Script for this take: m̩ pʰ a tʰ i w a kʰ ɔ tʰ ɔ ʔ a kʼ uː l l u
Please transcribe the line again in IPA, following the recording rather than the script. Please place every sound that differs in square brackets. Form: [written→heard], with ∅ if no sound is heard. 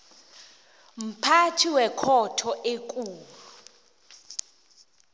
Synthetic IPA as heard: m̩ pʰ a tʰ i w [a→ɛ] kʰ ɔ tʰ ɔ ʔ [a→e] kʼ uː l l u